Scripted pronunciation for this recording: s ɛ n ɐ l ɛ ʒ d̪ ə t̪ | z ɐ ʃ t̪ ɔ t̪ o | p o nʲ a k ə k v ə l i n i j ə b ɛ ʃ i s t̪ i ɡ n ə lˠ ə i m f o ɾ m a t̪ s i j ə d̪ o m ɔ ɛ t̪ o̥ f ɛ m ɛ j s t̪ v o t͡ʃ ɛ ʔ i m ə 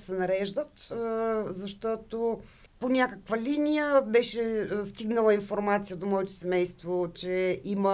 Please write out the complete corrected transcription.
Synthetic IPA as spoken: s ɛ n ɐ ɾ ɛ ʒ d̪ ə t̪ | z ɐ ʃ t̪ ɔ t̪ o | p o nʲ a k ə k v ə l i n i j ə b ɛ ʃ ɛ s t̪ i ɡ n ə lˠ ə i n f o ɾ m a t̪ s i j ə d̪ o m ɔ ɛ t̪ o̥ s ɛ m ɛ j s t̪ v o t͡ʃ ɛ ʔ i m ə